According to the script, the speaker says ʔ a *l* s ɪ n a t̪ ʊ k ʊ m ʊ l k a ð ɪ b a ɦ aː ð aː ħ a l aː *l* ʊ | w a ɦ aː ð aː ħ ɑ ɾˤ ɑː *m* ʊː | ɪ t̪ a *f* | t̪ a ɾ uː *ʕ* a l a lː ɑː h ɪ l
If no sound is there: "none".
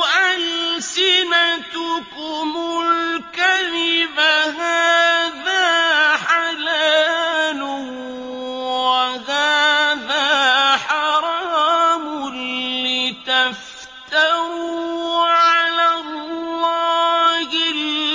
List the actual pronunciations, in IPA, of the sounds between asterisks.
l, l, m, f, ʕ

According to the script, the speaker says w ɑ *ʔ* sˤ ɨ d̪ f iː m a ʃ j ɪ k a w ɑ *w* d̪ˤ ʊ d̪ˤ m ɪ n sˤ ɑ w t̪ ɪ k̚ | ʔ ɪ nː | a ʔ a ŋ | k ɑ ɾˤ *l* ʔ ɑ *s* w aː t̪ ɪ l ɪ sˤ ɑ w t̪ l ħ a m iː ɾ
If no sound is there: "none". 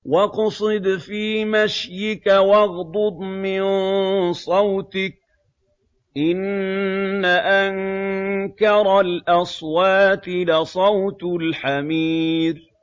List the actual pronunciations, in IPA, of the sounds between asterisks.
q, ɣ, l, s

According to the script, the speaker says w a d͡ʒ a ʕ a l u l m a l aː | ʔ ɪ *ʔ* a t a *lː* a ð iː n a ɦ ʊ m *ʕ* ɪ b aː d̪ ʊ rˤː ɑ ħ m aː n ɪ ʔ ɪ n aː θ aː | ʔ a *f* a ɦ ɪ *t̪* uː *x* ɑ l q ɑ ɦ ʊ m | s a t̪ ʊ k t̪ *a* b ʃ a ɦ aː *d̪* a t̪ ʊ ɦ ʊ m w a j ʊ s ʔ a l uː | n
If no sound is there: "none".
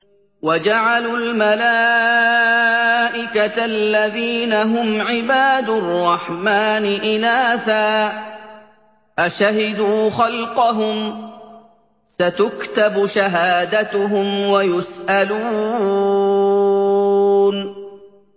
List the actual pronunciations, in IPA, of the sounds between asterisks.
k, lː, ʕ, ʃ, d̪, x, a, d̪

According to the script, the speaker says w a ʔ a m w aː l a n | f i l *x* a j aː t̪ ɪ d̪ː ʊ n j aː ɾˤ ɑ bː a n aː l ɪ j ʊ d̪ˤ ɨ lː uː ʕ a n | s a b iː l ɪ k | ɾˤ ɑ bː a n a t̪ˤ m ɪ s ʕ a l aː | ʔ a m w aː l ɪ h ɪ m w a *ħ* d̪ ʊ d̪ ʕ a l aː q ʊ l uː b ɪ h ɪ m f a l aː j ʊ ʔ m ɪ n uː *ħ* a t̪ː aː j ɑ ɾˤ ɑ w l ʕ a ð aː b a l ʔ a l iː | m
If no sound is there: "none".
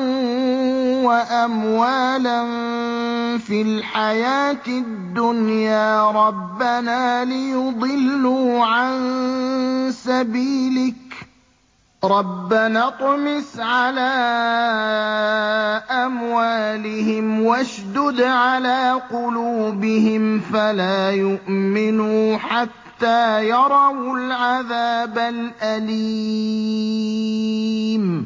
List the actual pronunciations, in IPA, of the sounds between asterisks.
ħ, ʃ, ħ

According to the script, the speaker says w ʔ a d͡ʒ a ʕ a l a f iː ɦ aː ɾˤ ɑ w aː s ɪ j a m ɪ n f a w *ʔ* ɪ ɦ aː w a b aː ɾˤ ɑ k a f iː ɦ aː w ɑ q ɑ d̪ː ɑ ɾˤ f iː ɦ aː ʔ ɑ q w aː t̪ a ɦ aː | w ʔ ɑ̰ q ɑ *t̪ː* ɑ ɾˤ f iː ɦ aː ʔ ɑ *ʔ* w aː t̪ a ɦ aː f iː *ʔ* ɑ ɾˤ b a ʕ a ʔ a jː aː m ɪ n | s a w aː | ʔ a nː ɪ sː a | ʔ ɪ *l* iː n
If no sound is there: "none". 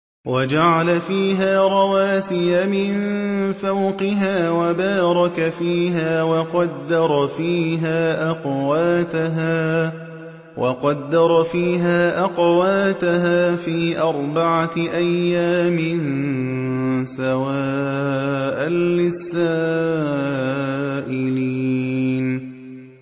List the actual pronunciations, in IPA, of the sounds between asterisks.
q, d̪ː, q, ʔ, l

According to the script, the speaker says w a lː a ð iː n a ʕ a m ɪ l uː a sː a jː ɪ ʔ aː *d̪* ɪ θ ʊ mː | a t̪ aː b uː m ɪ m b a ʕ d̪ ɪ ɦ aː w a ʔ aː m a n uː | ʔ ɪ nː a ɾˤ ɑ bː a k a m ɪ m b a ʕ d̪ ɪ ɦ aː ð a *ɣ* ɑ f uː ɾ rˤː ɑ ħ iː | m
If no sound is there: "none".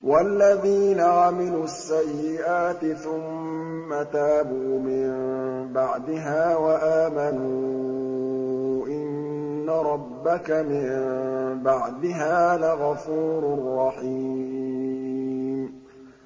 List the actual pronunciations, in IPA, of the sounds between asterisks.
t̪, ɣ

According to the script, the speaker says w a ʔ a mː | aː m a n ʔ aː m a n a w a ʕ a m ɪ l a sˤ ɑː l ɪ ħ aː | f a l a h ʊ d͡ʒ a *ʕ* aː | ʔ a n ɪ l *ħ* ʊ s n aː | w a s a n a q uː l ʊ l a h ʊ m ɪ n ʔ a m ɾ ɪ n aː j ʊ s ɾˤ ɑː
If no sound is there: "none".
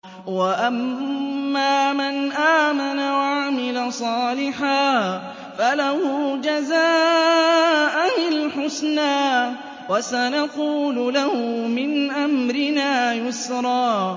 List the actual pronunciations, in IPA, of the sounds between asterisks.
z, ħ

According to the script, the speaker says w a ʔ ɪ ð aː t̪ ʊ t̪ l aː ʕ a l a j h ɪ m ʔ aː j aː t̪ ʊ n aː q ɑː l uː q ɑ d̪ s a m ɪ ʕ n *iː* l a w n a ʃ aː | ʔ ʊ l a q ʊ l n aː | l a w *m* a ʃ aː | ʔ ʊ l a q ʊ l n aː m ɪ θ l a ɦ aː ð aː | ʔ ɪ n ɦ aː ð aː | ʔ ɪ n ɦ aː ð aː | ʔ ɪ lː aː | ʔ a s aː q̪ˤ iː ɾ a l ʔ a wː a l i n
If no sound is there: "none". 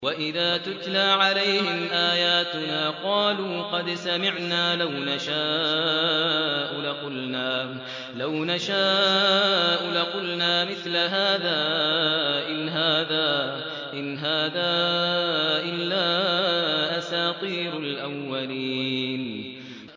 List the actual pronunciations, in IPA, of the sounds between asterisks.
aː, n

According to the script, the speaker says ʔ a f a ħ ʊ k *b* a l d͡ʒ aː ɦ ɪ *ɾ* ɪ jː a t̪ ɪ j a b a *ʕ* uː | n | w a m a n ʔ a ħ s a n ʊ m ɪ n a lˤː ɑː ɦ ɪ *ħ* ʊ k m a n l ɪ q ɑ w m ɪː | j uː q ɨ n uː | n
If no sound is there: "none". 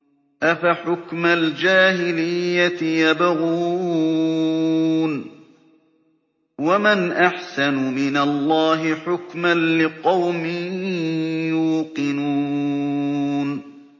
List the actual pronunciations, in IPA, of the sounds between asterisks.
m, l, ɣ, ħ

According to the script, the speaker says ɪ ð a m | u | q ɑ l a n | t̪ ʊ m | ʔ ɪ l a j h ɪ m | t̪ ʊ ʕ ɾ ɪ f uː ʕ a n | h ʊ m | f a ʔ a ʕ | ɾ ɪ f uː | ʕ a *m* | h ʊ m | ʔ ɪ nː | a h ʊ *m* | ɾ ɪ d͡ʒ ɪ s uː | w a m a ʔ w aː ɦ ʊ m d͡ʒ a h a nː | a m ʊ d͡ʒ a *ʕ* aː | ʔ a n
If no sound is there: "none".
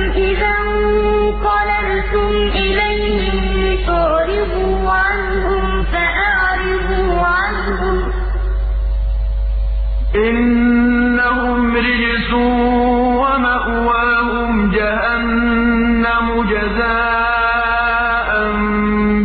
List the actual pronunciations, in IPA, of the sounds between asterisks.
n, m, z

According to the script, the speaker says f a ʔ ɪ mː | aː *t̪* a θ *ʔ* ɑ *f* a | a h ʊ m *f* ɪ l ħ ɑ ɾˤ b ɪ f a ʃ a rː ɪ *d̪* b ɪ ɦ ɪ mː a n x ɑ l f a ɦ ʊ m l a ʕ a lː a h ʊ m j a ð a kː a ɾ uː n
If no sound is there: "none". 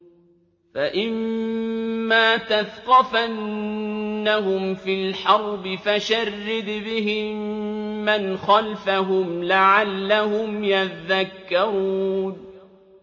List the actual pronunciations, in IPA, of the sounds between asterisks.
t̪, q, f, f, d̪

